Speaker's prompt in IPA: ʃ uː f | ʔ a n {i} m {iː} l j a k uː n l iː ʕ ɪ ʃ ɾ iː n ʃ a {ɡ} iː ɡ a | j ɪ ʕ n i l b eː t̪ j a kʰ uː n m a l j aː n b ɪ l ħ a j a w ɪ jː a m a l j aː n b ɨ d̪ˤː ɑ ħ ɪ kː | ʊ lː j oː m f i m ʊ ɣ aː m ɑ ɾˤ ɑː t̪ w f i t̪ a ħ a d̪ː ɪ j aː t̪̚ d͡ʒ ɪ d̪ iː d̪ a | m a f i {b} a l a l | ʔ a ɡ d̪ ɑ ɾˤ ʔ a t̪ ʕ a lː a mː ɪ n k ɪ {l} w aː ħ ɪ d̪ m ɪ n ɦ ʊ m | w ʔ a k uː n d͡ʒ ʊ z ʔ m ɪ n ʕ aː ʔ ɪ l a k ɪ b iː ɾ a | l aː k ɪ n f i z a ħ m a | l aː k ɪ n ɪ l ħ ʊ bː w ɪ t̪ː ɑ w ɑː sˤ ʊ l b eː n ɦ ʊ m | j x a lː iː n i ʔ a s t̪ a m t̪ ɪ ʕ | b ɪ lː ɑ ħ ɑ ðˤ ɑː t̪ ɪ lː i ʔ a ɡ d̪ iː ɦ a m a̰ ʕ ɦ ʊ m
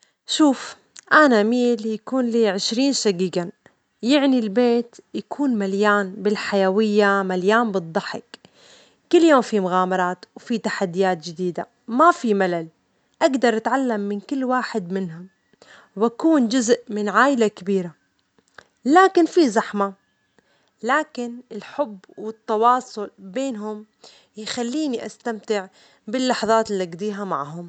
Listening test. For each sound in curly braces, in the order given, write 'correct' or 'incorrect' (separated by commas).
incorrect, correct, correct, incorrect, incorrect